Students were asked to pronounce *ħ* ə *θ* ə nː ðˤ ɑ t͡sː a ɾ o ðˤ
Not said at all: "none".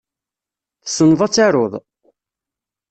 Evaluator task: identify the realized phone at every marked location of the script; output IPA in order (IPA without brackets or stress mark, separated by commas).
θ, s